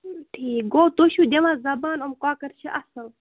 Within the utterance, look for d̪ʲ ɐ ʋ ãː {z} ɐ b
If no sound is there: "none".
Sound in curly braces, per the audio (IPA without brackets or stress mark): z